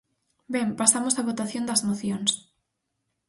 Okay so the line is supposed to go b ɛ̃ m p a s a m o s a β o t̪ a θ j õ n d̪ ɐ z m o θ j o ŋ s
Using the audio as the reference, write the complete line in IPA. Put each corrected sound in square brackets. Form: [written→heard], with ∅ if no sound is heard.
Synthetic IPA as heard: b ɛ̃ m p a s a m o s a β o t̪ a θ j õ n d̪ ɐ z m o θ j o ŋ s